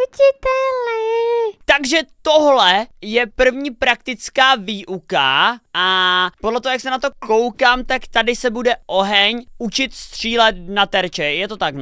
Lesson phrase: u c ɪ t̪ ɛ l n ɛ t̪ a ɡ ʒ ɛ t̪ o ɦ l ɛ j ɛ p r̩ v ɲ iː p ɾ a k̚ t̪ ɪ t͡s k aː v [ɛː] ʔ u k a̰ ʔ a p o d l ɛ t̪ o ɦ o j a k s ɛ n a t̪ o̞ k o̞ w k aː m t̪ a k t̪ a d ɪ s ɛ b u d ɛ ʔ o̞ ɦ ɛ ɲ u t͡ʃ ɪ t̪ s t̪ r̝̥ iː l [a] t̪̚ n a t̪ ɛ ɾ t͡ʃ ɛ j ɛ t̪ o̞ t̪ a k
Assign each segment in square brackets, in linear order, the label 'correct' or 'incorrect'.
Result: incorrect: iː, incorrect: ɛ

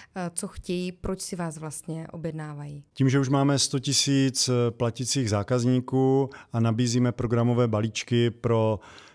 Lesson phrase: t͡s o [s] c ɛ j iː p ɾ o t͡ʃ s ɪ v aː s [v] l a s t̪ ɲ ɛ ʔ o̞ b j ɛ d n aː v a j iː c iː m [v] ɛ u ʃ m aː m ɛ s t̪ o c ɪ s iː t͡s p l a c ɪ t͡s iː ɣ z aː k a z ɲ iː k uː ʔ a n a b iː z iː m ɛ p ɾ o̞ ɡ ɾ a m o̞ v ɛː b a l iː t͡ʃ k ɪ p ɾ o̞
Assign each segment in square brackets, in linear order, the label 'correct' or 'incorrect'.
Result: incorrect: x, correct, incorrect: ʒ

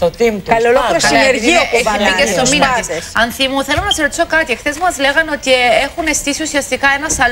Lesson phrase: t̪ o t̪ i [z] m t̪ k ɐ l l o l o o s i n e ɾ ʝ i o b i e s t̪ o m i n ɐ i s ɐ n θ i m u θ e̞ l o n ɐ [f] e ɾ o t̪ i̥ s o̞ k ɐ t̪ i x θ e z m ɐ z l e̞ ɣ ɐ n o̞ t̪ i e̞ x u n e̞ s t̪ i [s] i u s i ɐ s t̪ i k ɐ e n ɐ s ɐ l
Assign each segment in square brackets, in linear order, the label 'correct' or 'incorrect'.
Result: incorrect: none, incorrect: s, correct

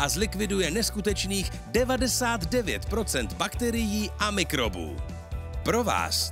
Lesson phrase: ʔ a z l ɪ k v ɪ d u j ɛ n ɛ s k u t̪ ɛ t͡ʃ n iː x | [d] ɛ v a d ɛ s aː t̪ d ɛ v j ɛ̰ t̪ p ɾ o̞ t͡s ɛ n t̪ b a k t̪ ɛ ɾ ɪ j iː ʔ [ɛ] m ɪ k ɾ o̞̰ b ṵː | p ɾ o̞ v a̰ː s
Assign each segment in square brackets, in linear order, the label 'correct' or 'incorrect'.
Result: correct, incorrect: a

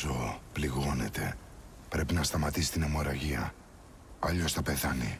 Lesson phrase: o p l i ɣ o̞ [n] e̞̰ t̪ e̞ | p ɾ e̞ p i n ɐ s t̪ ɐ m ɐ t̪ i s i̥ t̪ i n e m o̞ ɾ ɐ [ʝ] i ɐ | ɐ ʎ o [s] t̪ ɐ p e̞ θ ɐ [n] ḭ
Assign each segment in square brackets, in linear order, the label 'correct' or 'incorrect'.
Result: correct, correct, correct, correct

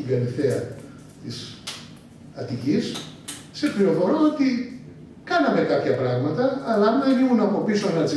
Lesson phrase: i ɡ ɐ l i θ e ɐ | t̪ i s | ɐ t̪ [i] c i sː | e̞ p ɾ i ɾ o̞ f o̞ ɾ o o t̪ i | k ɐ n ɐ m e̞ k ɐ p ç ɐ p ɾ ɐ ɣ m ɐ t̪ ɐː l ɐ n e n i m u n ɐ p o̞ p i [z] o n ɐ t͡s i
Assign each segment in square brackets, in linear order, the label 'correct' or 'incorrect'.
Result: correct, incorrect: s

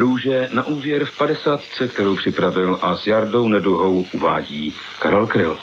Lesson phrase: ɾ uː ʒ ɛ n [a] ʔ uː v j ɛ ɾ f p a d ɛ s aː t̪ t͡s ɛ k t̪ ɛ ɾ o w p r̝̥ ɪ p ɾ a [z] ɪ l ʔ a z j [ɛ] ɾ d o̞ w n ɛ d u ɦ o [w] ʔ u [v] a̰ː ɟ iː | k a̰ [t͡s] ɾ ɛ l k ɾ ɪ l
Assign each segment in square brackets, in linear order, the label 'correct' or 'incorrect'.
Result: correct, incorrect: v, incorrect: a, correct, correct, incorrect: none

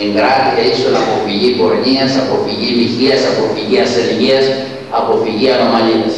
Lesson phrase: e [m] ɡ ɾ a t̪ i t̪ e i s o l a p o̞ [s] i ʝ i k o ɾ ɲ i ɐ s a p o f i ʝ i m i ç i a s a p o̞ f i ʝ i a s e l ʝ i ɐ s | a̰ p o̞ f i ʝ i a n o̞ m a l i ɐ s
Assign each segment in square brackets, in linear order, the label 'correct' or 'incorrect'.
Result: incorrect: ŋ, incorrect: f

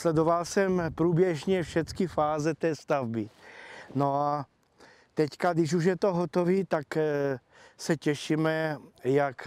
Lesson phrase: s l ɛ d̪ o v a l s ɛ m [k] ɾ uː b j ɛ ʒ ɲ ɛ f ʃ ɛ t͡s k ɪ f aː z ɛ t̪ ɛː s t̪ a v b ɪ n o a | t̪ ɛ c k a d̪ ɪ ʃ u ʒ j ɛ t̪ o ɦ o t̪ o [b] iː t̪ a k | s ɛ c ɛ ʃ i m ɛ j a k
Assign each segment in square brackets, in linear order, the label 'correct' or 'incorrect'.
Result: incorrect: p, incorrect: v

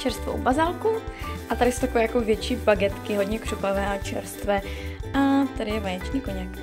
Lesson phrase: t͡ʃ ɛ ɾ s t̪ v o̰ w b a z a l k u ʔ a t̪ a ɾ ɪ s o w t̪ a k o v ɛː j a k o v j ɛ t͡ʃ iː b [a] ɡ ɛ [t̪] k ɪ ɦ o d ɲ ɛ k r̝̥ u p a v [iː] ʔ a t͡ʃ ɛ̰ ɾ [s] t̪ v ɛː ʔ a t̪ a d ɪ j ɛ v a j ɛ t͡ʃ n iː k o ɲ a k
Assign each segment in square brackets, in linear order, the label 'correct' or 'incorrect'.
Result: correct, correct, incorrect: ɛː, correct

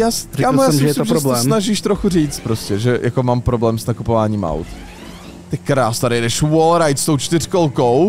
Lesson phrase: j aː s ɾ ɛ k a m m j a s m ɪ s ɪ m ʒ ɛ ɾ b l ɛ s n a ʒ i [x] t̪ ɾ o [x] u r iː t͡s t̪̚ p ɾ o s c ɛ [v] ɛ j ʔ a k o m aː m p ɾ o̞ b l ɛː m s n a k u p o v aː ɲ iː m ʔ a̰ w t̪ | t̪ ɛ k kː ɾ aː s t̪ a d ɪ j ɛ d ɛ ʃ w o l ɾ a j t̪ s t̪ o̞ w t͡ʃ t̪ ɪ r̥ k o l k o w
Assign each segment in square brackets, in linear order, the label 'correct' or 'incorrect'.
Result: incorrect: ʃ, correct, incorrect: ʒ

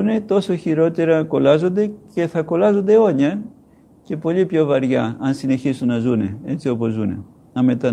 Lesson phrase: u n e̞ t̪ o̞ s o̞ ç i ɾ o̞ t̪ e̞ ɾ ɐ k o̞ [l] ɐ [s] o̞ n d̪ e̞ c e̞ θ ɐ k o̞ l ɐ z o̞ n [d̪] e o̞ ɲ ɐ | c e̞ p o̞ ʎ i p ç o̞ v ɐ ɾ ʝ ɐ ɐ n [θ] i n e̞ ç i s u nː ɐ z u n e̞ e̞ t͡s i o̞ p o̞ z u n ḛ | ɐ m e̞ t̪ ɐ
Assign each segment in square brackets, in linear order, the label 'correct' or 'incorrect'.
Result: correct, incorrect: z, correct, incorrect: s

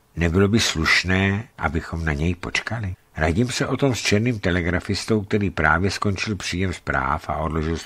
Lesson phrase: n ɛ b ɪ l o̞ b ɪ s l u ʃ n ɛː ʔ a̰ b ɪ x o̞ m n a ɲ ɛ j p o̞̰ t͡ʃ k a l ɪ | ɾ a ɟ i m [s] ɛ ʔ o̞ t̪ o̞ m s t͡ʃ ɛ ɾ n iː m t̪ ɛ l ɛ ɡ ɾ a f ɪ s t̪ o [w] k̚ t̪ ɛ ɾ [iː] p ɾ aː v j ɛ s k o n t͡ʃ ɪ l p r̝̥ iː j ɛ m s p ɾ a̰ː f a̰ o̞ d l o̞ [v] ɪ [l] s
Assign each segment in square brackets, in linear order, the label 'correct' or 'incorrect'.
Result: correct, correct, correct, incorrect: ʒ, correct

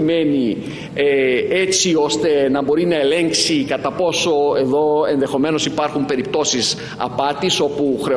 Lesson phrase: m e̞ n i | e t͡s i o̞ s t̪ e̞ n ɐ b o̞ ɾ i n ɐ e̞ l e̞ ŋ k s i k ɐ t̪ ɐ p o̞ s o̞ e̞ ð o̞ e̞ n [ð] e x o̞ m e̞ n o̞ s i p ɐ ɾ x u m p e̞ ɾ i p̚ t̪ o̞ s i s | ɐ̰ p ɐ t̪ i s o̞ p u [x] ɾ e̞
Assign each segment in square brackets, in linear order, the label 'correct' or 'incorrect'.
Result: correct, correct

